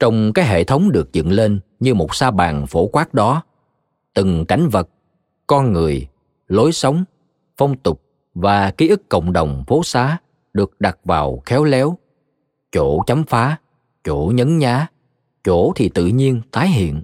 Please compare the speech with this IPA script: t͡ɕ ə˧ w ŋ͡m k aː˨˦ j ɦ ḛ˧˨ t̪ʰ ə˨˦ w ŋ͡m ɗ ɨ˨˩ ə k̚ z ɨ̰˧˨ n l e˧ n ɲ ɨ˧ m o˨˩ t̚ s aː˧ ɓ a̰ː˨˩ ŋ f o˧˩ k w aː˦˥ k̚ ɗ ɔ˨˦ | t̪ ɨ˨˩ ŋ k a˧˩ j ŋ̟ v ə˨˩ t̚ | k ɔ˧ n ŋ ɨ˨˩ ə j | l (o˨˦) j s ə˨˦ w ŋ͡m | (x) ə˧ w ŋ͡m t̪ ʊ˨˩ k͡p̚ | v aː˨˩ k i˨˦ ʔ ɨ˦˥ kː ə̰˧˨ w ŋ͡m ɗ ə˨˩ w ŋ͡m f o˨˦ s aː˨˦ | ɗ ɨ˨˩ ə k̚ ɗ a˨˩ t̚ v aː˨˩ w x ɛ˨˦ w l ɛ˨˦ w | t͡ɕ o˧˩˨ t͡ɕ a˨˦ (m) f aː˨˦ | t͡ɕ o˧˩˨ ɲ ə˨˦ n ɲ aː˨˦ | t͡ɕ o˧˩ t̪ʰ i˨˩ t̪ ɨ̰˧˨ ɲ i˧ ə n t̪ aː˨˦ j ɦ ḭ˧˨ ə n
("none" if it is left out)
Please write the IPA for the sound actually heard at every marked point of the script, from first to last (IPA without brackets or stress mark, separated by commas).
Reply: o˨˦, f, m